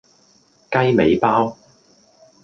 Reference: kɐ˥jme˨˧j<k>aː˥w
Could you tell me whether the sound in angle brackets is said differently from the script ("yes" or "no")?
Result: yes